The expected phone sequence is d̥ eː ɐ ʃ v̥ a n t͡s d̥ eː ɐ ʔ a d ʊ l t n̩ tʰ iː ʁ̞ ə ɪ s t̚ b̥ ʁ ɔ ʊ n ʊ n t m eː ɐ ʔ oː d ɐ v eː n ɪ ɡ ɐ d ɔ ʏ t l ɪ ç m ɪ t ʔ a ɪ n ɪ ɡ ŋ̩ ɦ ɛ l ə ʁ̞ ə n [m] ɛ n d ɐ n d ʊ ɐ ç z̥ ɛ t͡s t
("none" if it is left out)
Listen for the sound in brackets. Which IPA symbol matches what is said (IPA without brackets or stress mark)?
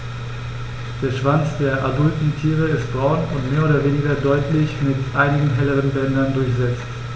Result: b